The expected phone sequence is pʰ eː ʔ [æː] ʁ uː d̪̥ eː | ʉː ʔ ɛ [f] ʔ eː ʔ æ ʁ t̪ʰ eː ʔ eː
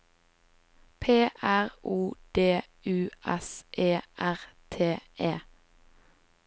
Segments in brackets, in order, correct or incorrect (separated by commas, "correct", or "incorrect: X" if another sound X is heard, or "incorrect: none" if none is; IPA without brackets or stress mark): incorrect: æ, incorrect: s